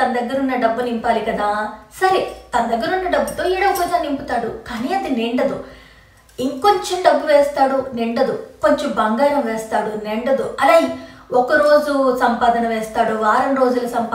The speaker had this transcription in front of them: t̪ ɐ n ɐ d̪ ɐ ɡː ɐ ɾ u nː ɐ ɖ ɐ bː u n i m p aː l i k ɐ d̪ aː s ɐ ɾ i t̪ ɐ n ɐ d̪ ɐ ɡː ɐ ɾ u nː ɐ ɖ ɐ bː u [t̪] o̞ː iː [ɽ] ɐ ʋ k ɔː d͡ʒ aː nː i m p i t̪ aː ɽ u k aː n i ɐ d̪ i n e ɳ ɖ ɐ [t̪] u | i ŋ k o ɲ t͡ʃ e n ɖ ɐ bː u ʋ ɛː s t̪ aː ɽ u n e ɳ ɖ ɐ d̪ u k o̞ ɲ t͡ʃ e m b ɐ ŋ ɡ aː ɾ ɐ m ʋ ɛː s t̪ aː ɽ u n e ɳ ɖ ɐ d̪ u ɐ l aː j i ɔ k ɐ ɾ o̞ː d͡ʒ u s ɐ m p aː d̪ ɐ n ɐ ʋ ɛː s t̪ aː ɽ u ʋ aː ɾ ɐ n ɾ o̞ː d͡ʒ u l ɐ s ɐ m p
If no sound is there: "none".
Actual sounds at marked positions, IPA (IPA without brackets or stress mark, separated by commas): t̪, ɽ, d̪